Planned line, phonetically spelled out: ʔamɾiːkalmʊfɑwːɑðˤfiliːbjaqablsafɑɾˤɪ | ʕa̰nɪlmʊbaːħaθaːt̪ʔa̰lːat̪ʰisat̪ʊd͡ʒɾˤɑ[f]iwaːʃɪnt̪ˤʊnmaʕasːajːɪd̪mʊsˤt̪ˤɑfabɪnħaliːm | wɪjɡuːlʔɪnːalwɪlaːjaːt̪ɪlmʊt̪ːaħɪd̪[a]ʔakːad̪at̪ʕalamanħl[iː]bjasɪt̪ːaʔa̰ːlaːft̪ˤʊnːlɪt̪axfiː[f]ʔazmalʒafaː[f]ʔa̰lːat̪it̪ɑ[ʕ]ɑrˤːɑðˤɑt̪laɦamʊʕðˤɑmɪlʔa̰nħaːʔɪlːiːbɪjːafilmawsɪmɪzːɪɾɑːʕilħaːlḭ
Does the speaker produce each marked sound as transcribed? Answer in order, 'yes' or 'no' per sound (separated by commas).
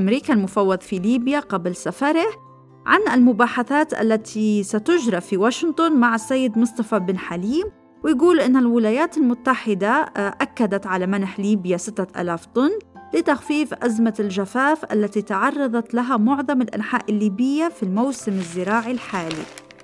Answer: yes, yes, yes, yes, yes, yes